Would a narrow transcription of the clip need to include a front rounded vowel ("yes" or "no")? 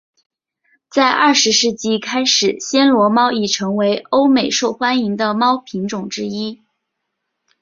no